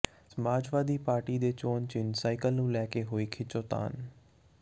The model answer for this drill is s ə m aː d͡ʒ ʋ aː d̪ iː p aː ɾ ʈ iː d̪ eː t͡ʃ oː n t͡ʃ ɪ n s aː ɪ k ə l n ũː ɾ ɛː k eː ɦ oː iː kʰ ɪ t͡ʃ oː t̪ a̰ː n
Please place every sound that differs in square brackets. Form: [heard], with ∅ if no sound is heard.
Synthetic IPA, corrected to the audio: s ə m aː d͡ʒ ʋ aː d̪ iː p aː ɾ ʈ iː d̪ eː t͡ʃ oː n t͡ʃ ɪ n s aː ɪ k ə l n ũː [l] ɛː k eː ɦ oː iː kʰ ɪ t͡ʃ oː t̪ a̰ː n